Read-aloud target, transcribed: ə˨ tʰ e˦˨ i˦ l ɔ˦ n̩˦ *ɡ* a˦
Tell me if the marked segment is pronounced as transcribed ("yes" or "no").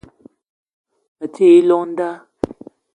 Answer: no